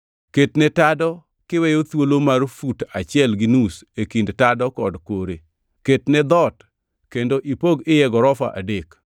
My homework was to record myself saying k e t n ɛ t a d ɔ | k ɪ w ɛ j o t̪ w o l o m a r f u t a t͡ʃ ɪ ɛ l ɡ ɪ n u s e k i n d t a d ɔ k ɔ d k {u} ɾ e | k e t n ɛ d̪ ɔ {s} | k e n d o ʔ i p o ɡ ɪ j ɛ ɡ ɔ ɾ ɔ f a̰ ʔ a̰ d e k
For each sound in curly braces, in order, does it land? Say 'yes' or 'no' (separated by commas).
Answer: no, no